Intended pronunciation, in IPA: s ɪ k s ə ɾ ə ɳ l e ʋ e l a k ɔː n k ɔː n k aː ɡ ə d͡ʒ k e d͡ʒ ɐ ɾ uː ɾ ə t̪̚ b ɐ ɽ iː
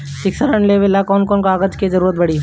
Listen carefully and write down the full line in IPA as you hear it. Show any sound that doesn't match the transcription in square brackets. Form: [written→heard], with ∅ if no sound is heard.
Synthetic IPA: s ɪ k s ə ɾ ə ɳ l e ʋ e l a k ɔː n k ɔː n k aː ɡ ə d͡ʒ k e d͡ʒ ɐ ɾ uː ɾ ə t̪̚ b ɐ ɽ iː